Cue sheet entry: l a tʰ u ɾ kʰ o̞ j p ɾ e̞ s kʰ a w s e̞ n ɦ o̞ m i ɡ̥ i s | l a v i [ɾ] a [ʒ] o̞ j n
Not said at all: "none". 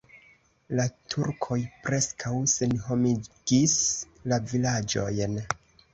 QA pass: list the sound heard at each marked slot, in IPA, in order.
l, d͡ʒ

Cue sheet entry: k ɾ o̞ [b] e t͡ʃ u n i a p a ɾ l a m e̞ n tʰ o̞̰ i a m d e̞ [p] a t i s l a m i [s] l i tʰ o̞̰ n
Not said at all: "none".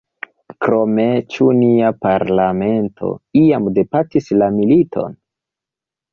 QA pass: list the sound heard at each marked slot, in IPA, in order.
m, p, none

